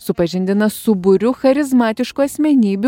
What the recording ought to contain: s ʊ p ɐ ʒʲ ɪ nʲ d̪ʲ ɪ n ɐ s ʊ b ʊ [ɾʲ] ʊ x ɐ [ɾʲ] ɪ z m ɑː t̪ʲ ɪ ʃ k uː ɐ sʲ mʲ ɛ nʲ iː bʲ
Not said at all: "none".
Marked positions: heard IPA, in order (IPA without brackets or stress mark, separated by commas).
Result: ɾʲ, ɾʲ